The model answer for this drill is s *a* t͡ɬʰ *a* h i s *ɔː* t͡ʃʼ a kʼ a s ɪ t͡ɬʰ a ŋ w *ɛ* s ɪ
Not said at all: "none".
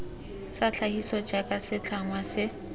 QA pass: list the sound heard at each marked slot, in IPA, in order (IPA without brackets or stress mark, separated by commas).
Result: a, a, ɔ, a